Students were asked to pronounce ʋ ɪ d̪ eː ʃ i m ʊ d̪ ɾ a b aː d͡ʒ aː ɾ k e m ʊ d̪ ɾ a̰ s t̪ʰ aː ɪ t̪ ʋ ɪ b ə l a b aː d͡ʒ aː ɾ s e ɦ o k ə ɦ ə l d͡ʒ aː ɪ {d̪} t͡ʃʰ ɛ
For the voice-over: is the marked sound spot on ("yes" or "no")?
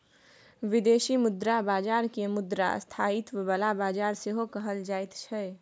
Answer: no